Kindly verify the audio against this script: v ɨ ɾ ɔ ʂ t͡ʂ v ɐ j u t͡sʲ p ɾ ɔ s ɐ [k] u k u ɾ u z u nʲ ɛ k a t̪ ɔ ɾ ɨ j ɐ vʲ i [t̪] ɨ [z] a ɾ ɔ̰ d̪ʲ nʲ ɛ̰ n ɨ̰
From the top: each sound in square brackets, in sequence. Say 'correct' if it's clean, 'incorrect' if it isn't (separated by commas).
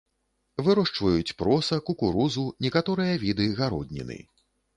correct, incorrect, incorrect